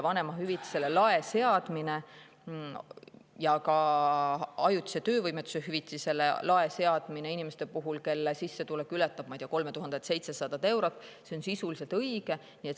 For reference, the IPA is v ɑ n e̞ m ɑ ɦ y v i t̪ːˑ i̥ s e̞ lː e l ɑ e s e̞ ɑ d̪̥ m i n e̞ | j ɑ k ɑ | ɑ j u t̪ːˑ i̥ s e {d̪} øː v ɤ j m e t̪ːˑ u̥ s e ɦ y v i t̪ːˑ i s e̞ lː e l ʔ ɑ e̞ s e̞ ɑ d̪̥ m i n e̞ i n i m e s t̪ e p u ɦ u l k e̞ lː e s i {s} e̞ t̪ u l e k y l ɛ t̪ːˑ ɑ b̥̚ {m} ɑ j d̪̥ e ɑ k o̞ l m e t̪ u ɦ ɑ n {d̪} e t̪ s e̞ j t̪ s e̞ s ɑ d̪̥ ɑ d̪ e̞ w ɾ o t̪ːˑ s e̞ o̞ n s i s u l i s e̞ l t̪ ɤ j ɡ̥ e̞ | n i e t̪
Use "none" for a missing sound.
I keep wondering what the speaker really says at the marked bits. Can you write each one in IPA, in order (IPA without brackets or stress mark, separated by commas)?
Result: t̪, sː, m, d̪